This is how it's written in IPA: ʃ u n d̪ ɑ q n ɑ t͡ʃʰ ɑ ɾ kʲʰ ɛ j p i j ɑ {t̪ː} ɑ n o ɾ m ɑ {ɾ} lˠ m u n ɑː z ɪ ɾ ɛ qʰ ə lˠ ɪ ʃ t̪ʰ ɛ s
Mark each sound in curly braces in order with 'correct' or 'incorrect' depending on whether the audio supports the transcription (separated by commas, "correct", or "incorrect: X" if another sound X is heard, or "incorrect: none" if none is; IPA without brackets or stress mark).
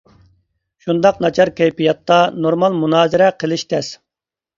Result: correct, incorrect: none